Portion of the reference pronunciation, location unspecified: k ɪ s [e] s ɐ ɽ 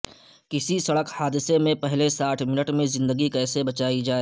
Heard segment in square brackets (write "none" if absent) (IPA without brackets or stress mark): i